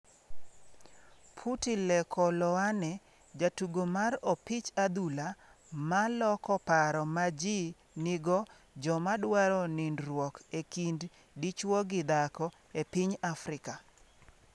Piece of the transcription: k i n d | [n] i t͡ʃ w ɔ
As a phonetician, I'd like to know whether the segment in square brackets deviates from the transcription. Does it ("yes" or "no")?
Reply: yes